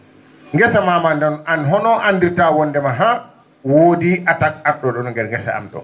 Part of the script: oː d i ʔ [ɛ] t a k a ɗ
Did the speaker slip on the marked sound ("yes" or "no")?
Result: yes